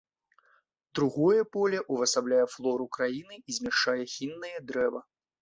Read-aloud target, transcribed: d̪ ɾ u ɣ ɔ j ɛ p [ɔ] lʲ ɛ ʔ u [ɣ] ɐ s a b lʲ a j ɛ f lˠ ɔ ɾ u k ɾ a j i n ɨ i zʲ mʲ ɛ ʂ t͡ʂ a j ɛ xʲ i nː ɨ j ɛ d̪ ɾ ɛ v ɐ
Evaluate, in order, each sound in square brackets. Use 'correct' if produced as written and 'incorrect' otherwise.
correct, incorrect: v

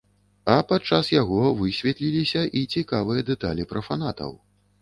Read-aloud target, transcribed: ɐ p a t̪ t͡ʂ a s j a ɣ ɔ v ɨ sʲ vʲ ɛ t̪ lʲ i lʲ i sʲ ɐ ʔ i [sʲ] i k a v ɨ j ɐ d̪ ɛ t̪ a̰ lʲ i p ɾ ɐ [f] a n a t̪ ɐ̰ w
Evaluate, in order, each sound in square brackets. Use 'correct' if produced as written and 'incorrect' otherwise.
incorrect: t͡sʲ, correct

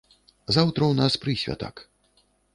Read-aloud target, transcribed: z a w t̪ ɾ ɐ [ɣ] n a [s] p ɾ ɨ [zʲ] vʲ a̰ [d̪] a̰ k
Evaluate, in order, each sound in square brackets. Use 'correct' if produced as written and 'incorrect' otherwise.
incorrect: w, correct, incorrect: sʲ, incorrect: t̪

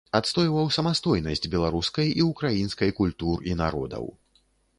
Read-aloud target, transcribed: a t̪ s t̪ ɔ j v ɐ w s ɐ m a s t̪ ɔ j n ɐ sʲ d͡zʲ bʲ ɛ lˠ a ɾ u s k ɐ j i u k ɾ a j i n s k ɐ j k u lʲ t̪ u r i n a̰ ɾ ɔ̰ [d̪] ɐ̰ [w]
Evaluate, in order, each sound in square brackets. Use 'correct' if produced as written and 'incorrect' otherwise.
correct, correct

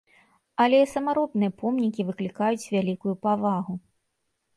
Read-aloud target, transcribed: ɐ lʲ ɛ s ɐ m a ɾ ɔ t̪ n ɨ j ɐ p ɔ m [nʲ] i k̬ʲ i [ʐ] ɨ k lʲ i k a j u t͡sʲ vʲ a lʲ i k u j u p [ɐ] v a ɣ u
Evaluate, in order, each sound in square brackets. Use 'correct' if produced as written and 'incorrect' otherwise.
correct, incorrect: v, incorrect: a

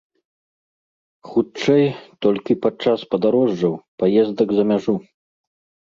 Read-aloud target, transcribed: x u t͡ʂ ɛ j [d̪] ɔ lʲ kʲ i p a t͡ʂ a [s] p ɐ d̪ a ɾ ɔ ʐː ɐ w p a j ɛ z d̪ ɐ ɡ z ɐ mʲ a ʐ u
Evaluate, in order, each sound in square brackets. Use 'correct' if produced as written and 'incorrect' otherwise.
incorrect: t̪, correct

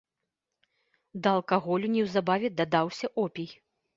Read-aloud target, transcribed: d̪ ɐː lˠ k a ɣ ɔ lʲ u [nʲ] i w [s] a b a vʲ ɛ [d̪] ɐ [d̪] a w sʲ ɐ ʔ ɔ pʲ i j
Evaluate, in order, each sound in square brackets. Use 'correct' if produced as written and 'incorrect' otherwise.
correct, incorrect: z, correct, correct

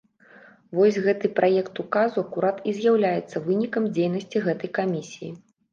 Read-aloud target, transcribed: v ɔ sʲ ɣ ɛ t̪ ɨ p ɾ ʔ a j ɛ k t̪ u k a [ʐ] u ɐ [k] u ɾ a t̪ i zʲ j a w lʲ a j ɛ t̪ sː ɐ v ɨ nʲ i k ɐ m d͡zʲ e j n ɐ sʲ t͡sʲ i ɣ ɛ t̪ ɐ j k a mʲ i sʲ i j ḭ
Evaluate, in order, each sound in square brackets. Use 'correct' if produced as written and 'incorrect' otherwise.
incorrect: z, correct

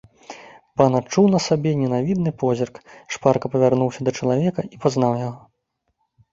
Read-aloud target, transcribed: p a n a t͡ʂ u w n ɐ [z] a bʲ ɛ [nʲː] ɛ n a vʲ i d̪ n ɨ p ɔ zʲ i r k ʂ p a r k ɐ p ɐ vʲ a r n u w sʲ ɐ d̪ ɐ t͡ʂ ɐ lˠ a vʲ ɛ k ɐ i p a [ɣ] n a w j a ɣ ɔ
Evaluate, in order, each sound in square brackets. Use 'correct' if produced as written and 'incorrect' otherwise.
incorrect: s, incorrect: nʲ, incorrect: z

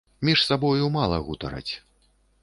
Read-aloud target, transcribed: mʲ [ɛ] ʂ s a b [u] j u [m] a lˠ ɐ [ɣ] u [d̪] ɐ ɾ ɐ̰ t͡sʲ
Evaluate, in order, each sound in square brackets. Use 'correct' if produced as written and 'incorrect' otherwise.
incorrect: i, incorrect: ɔ, correct, correct, incorrect: t̪

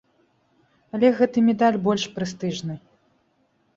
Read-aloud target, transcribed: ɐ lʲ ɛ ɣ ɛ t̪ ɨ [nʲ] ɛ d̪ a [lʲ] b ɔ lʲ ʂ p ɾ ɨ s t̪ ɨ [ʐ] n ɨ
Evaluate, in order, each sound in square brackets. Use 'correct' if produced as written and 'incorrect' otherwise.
incorrect: mʲ, correct, correct

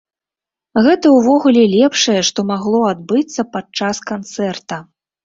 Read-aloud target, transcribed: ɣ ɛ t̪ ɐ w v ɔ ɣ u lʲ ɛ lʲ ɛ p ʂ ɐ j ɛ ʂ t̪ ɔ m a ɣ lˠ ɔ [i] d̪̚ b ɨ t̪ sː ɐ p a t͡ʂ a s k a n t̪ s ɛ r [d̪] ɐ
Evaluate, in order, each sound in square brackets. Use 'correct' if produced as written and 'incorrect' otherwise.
incorrect: a, incorrect: t̪

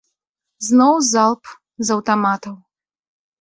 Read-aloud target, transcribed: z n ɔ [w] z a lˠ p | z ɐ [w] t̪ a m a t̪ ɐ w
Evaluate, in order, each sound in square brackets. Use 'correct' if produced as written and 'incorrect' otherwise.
correct, correct

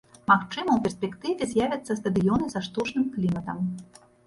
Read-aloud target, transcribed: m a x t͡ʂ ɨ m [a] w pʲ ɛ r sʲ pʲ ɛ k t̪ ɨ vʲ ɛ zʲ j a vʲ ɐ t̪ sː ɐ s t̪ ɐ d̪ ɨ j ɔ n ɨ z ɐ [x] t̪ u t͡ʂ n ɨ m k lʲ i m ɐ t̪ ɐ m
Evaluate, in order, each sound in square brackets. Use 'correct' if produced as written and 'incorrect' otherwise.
incorrect: ɐ, incorrect: ʂ

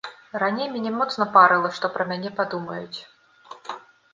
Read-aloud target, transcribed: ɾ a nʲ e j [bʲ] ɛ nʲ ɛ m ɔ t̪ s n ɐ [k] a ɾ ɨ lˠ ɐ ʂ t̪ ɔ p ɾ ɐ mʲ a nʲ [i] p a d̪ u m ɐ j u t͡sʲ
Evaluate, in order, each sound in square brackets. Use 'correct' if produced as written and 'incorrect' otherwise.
incorrect: mʲ, incorrect: p, incorrect: ɛ

